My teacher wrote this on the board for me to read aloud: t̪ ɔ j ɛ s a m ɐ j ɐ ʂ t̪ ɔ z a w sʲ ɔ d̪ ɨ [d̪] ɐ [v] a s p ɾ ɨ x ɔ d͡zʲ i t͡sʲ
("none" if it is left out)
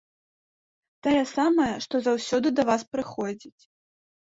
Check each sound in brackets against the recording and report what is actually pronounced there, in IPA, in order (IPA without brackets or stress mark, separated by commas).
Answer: d̪, v